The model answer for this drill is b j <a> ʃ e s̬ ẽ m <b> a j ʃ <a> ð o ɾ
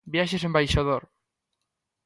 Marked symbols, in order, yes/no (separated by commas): yes, yes, yes